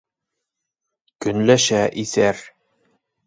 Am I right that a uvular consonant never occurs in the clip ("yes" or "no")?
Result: yes